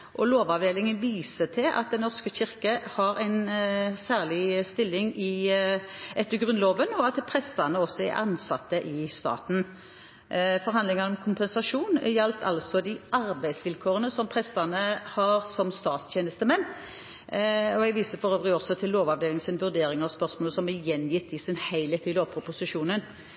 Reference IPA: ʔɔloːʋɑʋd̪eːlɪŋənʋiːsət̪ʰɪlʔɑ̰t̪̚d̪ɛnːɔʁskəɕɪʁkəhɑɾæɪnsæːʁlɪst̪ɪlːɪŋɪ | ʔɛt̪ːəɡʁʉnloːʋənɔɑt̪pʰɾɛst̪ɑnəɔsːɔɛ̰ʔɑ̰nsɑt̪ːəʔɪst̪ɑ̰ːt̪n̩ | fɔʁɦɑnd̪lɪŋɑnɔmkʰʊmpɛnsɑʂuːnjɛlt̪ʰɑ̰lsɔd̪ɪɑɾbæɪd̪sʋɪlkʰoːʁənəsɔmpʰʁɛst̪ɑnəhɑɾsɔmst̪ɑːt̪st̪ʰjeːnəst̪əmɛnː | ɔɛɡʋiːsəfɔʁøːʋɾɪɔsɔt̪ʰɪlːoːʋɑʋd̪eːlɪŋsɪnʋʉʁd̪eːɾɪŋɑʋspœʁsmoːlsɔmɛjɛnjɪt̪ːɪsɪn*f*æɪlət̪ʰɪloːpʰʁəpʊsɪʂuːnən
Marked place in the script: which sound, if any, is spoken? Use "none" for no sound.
h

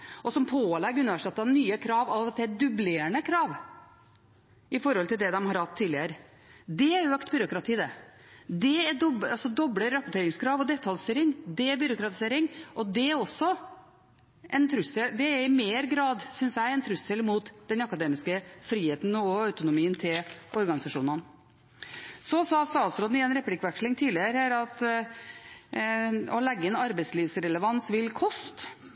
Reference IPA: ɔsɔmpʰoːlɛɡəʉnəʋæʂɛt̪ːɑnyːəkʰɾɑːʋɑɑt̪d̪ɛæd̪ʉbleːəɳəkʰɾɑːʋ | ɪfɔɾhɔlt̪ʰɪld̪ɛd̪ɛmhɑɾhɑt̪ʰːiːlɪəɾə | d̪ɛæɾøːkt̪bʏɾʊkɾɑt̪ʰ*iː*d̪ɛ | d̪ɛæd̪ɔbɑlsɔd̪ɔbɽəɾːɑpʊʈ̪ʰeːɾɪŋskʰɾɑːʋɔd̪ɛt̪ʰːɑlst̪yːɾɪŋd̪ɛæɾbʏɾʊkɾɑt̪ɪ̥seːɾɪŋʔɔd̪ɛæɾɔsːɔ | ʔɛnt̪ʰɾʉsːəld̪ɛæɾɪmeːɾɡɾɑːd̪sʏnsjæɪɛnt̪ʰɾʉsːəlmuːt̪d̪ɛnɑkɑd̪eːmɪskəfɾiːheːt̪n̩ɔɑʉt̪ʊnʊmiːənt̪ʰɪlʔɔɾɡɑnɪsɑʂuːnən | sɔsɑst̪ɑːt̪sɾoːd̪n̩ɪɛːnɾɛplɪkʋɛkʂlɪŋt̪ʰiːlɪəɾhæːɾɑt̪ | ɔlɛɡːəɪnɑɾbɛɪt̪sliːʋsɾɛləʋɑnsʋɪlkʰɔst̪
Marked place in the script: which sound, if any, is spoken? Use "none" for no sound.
iː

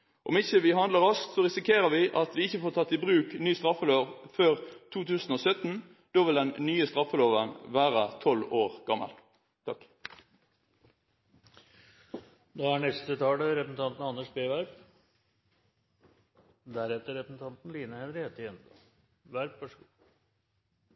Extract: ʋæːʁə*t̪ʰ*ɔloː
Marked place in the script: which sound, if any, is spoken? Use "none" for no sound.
t̪ʰ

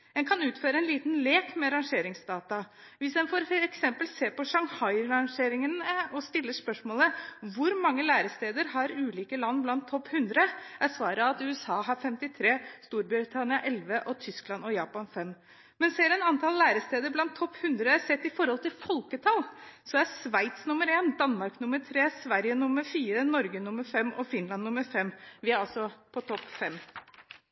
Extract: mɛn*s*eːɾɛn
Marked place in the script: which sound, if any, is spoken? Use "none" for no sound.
s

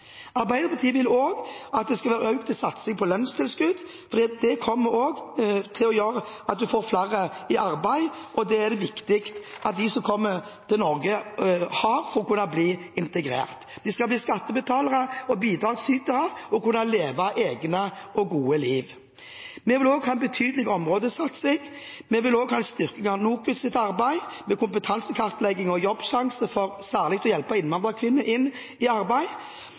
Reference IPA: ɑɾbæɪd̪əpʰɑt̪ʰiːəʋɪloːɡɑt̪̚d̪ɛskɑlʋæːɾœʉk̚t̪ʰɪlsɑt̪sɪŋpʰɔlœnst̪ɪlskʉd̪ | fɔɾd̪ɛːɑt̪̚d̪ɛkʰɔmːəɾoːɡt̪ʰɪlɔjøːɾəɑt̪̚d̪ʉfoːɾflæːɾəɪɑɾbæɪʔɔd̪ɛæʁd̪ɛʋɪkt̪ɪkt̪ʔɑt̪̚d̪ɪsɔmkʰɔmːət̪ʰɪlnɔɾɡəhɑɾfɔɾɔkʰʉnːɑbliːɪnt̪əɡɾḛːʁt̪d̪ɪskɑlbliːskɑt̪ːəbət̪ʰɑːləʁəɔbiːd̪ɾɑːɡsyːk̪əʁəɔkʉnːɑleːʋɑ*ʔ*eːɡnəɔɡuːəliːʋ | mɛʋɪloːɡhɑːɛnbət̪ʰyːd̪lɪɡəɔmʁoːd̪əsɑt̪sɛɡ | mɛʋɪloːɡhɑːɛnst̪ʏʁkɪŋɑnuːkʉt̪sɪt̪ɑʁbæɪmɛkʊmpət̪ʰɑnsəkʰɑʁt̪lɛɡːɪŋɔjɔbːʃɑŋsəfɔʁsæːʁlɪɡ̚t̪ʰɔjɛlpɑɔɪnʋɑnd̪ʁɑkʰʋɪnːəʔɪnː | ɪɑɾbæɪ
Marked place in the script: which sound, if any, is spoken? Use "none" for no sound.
ʔ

